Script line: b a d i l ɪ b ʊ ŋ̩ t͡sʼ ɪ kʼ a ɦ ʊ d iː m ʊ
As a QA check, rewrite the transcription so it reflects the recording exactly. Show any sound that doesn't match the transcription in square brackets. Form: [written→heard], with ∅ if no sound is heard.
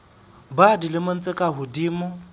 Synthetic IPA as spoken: b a d i l ɪ [b→m] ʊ [ŋ̩→n̩] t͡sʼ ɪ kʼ a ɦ ʊ d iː m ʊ